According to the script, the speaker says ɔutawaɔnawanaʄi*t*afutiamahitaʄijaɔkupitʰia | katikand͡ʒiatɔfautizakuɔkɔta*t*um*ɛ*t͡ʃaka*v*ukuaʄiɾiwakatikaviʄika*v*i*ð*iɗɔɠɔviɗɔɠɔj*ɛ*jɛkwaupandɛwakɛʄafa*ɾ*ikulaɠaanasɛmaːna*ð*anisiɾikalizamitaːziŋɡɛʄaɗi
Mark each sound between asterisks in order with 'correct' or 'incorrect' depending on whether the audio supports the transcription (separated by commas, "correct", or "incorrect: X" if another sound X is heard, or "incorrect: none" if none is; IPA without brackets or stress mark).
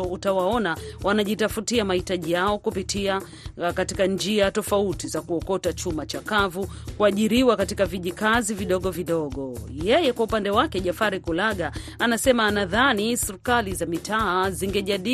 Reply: correct, incorrect: t͡ʃ, incorrect: a, correct, incorrect: z, incorrect: v, correct, correct, correct